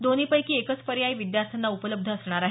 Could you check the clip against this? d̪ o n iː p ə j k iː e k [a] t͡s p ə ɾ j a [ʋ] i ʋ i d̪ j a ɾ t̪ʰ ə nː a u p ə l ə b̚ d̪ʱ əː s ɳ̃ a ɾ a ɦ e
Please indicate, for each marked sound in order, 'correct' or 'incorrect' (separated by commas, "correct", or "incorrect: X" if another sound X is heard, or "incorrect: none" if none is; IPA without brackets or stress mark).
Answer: incorrect: ə, incorrect: none